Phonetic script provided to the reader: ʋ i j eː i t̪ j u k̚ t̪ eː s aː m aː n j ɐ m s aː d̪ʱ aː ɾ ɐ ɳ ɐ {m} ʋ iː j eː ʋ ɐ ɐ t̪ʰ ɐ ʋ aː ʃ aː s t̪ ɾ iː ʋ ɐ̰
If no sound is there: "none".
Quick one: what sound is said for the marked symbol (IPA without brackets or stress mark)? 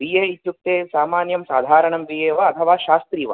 m